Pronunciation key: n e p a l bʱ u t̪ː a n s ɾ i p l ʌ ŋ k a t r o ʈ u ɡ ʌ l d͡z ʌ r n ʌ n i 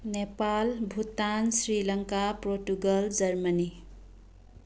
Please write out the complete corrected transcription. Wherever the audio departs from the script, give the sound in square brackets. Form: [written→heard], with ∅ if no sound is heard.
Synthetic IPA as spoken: n e p a l bʱ u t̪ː a n s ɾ i [p→∅] l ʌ ŋ k a [t→p] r o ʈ u ɡ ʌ l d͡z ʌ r [n→m] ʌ n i